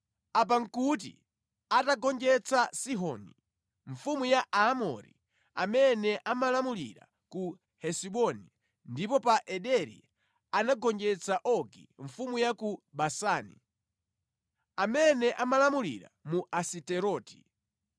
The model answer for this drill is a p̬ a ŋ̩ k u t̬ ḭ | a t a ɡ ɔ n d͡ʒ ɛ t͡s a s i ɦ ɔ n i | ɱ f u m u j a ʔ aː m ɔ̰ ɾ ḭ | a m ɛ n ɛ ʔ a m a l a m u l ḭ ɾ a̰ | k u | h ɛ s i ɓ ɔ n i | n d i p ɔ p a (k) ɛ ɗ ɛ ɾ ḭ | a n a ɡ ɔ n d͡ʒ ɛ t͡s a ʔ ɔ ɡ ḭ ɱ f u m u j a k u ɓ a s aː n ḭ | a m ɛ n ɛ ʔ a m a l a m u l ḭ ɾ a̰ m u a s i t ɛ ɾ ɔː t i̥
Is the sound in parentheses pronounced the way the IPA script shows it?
no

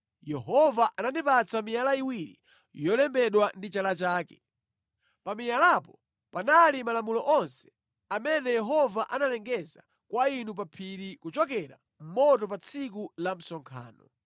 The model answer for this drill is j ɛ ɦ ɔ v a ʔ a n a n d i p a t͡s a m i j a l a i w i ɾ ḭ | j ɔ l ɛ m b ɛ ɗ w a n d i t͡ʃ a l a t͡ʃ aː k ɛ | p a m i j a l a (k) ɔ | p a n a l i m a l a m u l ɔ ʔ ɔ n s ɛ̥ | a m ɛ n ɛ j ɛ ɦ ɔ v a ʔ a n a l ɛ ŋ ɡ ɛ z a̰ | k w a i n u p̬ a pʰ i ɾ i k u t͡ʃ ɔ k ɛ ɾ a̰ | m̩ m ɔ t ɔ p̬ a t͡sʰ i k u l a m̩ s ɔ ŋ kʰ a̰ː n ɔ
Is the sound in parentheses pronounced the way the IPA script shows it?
no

